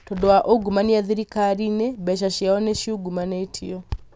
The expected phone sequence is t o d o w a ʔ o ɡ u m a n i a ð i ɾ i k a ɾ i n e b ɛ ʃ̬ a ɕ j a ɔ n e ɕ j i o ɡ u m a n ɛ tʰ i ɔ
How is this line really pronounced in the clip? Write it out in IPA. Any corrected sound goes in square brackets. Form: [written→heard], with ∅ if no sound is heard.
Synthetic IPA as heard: t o d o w a ʔ o ɡ u m a n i a ð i ɾ i k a ɾ i n e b ɛ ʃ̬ a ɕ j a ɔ n e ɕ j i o ɡ u m a n [ɛ→e] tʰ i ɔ